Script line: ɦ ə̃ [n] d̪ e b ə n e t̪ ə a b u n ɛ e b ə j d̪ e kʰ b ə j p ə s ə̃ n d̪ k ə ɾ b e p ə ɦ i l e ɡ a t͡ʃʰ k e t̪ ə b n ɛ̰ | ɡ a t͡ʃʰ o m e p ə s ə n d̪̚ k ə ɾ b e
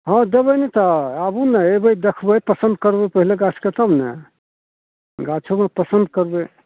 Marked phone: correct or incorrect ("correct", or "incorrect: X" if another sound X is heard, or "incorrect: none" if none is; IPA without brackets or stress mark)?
incorrect: none